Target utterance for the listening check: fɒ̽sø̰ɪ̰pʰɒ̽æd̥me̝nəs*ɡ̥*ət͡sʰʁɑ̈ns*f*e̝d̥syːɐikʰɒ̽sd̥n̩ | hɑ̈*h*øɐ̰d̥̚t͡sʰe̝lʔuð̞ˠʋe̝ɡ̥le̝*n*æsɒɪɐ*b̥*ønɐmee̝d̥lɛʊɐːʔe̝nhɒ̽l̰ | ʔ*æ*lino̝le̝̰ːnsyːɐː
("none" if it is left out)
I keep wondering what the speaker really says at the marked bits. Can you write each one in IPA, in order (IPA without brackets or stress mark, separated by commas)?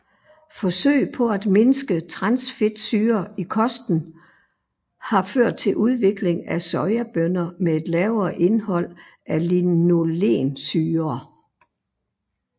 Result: ɡ̥, f, f, ŋ, b̥, æ